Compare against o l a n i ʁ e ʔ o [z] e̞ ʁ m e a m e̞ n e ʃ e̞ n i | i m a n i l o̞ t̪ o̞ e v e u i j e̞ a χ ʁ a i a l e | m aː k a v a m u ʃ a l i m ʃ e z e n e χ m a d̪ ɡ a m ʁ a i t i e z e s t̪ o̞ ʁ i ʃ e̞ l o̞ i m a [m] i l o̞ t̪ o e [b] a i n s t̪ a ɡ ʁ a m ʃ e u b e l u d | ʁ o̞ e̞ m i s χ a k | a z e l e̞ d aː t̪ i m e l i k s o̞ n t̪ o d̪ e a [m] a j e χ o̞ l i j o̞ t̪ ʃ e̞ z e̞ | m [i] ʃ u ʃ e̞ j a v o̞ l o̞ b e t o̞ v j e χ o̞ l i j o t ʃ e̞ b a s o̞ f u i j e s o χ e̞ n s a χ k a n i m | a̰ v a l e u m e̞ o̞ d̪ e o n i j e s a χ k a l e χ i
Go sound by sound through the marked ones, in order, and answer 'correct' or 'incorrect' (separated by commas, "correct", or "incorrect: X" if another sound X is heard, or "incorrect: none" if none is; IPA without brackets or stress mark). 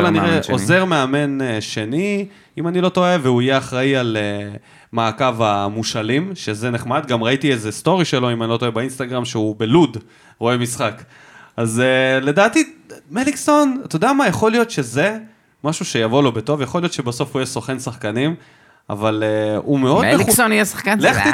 correct, incorrect: n, correct, correct, incorrect: a